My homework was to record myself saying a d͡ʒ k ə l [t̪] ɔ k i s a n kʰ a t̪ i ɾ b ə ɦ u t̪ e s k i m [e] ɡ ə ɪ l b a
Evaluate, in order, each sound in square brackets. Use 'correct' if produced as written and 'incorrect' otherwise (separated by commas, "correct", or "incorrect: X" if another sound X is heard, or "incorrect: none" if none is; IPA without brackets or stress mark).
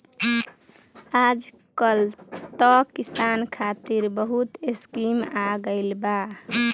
correct, incorrect: a